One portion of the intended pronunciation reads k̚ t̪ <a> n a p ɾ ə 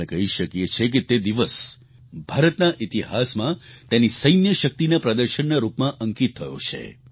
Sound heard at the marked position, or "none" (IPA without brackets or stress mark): i